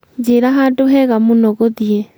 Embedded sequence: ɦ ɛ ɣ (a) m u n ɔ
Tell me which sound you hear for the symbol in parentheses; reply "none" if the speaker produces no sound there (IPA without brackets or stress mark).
a